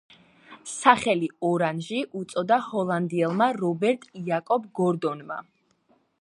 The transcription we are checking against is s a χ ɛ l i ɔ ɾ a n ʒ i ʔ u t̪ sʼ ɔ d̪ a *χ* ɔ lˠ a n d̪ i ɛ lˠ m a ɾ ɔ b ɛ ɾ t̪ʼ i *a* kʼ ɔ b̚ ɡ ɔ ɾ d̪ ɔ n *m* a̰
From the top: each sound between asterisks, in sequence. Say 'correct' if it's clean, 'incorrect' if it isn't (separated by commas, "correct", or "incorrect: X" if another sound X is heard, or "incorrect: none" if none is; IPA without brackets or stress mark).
incorrect: h, correct, correct